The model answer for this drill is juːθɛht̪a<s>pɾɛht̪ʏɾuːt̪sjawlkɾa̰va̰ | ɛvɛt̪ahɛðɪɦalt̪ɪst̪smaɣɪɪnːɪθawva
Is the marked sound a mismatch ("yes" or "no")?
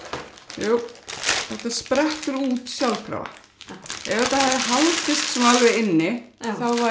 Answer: no